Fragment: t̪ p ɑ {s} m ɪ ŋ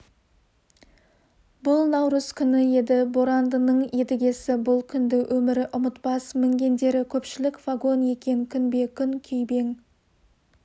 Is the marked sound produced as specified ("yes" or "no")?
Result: yes